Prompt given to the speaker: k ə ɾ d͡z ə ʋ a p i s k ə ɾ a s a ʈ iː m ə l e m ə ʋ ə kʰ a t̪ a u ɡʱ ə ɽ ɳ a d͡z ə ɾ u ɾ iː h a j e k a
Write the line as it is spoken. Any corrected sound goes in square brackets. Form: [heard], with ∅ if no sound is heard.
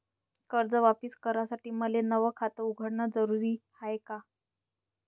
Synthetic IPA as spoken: k ə ɾ d͡z ə ʋ a p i s k ə ɾ a s a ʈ iː m ə l e [n] ə ʋ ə kʰ a t̪ [ə] u ɡʱ ə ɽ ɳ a d͡z ə ɾ u ɾ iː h a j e k a